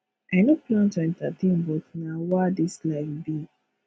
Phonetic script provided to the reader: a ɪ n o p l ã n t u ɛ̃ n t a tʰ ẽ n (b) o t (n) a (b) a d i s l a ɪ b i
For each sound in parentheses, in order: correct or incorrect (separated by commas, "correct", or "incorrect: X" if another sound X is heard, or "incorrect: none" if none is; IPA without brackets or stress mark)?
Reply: correct, correct, incorrect: w